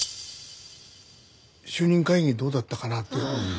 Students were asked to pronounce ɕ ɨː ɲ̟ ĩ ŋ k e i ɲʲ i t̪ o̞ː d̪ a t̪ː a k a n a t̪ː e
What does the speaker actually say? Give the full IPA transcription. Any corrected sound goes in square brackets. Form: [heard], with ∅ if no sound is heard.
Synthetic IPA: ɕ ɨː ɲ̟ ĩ ŋ k [a] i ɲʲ i [d̪] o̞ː d̪ a t̪ː a k a n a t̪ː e